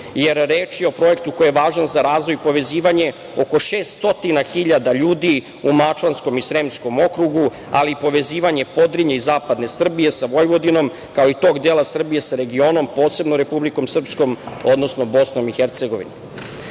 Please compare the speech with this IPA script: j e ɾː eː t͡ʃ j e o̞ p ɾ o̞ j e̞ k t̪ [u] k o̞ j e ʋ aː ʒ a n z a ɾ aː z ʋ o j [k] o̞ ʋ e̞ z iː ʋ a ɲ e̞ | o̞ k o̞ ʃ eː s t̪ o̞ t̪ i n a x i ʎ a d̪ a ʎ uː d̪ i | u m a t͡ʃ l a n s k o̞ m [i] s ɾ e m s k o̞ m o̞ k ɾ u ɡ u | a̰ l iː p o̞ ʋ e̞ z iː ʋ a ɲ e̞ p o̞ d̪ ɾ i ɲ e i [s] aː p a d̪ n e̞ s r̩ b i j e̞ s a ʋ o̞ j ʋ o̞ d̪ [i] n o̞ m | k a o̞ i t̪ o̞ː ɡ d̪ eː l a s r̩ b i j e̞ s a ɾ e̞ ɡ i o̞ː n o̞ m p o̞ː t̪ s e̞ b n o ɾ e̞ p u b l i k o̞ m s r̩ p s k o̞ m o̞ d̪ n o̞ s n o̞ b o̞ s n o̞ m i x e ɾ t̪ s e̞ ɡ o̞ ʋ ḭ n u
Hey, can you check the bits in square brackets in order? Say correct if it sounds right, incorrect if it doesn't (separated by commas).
correct, incorrect, correct, incorrect, correct